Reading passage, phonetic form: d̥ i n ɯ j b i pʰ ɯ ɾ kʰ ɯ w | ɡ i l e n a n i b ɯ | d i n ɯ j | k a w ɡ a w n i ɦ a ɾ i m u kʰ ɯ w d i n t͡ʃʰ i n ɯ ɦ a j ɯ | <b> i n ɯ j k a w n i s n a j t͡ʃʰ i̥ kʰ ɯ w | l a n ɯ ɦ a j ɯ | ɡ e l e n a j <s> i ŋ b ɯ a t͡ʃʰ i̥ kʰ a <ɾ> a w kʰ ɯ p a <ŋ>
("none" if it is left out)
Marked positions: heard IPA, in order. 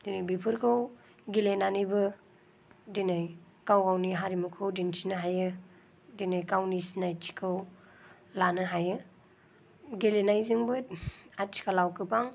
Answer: d, z, l, ŋ

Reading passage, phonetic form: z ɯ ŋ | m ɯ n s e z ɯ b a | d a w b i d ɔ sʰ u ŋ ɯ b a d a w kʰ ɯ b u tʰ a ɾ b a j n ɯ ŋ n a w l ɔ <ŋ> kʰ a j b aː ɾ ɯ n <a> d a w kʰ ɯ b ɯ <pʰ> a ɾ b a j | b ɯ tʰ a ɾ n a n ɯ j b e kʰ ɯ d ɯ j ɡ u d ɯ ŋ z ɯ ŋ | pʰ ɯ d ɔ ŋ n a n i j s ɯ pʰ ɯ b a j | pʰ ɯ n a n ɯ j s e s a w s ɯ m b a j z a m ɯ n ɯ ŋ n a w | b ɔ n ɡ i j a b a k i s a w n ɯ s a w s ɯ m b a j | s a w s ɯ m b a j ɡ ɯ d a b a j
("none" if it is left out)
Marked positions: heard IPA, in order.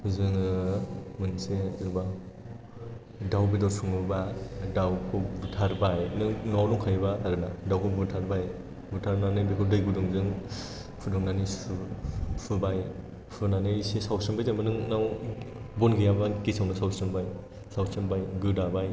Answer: ŋ, a, tʰ

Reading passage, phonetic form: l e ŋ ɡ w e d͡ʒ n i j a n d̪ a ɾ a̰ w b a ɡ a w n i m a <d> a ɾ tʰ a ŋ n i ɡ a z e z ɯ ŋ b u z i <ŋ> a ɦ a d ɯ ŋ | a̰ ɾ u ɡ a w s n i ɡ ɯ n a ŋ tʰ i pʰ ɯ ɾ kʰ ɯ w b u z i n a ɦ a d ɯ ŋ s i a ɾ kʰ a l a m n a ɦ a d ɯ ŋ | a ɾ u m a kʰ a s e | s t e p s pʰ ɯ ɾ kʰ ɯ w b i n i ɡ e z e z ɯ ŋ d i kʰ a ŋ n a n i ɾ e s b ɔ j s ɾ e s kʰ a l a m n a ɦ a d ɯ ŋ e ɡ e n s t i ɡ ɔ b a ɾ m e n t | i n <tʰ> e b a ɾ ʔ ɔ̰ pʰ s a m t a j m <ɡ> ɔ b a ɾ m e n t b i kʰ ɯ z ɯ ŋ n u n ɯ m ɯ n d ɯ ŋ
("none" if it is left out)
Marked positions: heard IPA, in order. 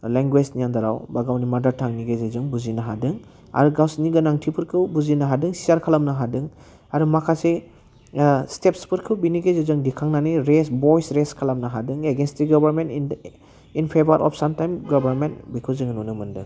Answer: d, n, pʰ, ɡ

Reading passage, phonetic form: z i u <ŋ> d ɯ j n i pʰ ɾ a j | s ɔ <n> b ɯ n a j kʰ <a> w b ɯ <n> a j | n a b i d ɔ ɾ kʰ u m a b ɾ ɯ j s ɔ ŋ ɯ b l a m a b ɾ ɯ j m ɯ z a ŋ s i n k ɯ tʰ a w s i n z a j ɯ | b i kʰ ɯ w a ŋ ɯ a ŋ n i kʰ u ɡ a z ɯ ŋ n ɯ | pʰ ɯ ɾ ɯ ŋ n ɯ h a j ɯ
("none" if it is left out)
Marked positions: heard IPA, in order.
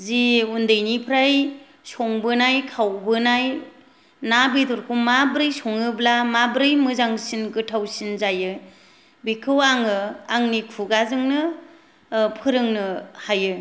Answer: n, ŋ, a, n

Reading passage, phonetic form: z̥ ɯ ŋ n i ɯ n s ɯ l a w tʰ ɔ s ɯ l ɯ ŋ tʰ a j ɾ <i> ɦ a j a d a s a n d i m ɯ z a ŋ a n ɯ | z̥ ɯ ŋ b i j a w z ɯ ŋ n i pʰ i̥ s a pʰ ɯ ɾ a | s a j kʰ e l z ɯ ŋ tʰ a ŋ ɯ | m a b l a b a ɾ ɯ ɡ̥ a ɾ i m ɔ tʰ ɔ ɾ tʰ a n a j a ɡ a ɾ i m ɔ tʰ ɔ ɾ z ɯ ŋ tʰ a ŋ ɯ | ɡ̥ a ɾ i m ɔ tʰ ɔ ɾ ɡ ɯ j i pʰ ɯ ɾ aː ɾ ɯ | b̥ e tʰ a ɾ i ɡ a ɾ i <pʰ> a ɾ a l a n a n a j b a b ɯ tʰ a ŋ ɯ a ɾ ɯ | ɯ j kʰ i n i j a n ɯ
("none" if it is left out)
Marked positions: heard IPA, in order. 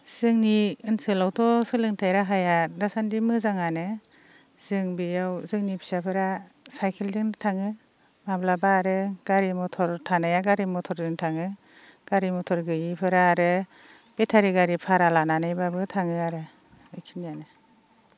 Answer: a, pʰ

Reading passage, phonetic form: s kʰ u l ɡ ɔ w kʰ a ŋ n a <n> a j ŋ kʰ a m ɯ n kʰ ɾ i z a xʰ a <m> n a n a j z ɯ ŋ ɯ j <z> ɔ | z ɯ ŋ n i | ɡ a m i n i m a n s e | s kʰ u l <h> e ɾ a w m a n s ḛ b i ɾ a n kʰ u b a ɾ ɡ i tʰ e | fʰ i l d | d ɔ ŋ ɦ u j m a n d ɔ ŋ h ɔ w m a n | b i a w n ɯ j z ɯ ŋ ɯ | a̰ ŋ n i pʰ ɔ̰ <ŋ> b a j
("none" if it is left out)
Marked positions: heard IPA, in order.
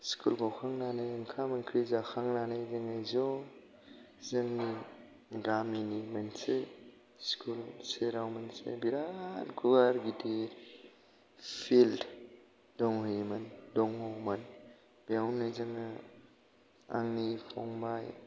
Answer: n, ŋ, z, s, ŋ

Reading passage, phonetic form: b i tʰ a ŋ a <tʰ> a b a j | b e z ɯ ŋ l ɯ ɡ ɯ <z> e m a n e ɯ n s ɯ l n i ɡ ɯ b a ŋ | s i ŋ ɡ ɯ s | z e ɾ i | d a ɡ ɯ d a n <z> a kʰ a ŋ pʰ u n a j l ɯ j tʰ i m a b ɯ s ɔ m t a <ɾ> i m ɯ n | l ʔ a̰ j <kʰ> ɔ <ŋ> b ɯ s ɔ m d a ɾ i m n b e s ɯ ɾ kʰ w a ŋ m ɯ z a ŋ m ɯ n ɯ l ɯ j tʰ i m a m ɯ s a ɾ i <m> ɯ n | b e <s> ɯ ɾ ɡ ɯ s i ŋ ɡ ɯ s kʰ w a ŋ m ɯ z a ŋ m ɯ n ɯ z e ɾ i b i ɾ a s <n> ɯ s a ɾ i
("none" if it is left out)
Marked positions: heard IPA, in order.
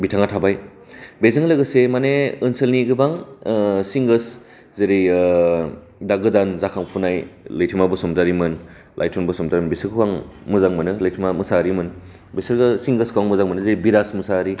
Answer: tʰ, s, z, ɾ, tʰ, n, m, s, m

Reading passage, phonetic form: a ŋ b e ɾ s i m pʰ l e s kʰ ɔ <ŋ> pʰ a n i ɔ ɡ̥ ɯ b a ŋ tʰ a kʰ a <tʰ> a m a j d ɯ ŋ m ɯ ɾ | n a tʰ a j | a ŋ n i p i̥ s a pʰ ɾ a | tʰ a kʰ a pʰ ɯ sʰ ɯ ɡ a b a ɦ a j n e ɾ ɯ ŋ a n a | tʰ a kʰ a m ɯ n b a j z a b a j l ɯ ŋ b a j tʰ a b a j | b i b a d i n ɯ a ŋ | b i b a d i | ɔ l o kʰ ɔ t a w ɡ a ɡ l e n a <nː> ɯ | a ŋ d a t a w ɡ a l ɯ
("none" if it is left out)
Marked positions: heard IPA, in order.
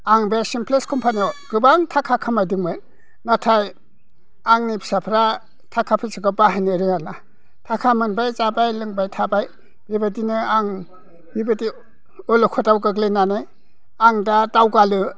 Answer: m, kʰ, n

